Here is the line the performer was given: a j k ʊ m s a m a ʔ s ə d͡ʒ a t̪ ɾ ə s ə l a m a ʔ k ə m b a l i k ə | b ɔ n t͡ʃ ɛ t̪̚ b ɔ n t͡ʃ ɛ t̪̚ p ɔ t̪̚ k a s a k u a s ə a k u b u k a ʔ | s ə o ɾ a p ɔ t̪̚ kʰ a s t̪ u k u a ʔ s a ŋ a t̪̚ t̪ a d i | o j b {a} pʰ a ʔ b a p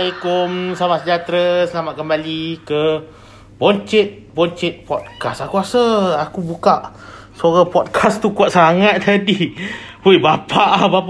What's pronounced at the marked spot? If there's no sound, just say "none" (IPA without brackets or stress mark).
a